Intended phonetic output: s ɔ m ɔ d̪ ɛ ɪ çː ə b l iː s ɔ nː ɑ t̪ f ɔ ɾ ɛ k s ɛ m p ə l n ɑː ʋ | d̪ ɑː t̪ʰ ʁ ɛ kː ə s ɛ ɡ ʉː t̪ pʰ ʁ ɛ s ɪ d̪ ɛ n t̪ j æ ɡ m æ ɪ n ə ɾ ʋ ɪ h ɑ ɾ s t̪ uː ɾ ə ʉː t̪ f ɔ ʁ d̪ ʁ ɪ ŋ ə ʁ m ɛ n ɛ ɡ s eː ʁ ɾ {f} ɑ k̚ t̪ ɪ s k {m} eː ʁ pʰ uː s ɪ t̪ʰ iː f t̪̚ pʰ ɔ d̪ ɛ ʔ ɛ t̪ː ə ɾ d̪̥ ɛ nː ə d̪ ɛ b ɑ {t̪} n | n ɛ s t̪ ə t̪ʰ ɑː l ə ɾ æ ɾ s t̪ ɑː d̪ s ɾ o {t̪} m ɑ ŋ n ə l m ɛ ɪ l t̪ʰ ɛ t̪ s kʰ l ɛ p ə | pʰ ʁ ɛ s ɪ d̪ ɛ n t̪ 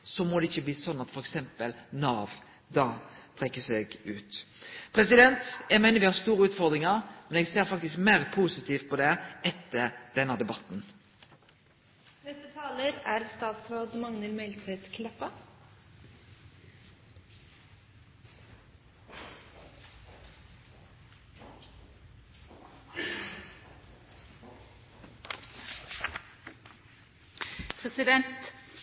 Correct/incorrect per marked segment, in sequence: correct, correct, correct, incorrect: d̪

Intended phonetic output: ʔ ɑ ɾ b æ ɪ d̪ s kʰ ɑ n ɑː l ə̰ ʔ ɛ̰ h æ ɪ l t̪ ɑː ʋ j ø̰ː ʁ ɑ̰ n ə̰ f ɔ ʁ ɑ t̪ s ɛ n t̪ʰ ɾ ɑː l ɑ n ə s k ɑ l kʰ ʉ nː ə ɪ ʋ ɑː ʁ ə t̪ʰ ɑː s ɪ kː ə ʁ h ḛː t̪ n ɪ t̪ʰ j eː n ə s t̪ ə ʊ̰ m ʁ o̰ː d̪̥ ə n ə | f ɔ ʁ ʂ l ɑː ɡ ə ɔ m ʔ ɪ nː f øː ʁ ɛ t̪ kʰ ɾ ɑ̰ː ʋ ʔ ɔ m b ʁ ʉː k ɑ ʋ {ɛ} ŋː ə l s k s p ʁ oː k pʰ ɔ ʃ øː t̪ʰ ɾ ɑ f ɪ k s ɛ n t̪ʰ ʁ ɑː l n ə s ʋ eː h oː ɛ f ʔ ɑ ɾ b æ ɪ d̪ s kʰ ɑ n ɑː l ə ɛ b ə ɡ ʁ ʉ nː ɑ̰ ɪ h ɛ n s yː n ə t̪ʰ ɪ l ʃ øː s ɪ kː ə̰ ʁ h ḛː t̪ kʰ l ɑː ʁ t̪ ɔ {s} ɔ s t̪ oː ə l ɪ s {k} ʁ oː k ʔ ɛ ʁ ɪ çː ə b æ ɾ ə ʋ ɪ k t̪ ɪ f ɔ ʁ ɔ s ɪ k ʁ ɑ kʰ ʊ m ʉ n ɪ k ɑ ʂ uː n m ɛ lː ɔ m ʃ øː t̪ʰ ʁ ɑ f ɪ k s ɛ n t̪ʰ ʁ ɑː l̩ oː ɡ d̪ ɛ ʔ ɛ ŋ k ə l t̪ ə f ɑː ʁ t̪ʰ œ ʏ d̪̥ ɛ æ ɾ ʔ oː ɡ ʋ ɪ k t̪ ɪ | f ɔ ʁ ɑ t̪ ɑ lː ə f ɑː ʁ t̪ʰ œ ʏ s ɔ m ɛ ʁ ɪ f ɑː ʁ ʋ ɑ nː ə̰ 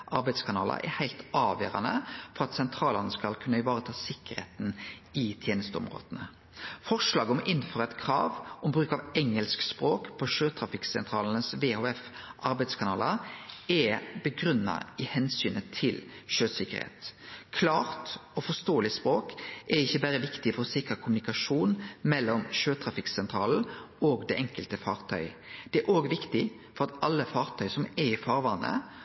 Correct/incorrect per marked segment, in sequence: correct, incorrect: f, incorrect: p

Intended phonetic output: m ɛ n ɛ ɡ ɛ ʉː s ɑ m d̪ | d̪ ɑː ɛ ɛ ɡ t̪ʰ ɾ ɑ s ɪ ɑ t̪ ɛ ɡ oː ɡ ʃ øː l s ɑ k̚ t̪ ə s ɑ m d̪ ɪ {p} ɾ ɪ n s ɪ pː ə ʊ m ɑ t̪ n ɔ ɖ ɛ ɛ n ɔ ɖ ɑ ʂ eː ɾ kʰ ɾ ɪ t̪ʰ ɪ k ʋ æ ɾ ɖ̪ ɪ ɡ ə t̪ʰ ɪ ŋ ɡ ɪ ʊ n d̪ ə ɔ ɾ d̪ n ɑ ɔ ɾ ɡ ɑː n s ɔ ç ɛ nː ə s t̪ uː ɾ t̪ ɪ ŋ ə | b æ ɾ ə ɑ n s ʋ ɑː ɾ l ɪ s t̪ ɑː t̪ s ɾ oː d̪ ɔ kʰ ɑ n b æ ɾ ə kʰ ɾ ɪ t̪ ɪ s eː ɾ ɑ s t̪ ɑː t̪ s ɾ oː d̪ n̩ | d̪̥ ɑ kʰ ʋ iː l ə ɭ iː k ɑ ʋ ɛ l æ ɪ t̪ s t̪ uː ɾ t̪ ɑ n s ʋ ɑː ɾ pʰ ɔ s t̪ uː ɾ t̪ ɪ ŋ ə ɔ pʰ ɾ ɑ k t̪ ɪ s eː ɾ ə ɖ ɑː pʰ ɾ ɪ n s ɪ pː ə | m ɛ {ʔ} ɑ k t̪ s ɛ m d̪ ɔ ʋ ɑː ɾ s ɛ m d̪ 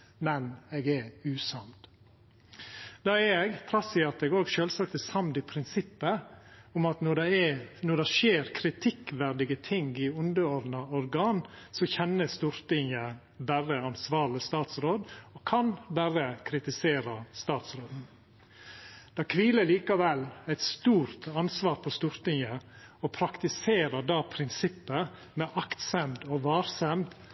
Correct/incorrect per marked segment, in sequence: incorrect: pʰ, correct

